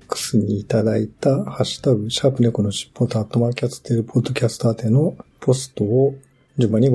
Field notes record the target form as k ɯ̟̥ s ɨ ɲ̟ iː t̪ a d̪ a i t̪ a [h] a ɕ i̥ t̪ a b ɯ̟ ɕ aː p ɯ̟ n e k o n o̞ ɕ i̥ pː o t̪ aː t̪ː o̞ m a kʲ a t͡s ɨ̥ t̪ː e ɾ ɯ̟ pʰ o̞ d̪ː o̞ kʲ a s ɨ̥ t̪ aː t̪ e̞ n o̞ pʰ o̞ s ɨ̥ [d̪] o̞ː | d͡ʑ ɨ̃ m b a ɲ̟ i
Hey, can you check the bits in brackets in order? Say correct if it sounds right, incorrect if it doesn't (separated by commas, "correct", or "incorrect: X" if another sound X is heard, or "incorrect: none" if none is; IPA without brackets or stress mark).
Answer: correct, incorrect: t̪